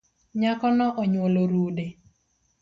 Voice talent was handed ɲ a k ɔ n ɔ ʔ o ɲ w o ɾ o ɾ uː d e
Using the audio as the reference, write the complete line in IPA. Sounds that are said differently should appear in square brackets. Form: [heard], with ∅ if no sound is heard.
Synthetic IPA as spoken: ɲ a k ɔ n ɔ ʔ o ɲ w o [l] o ɾ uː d e